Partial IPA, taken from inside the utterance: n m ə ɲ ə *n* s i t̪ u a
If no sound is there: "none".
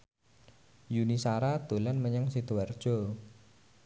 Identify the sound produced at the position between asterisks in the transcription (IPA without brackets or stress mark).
ŋ